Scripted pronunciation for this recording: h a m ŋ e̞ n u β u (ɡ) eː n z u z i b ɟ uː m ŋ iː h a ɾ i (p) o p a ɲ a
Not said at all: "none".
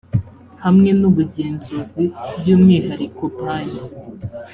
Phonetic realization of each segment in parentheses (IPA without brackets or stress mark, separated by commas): ɟ, k